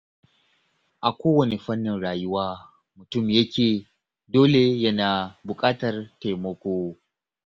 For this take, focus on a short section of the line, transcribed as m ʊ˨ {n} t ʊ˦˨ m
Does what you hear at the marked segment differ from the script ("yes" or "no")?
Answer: yes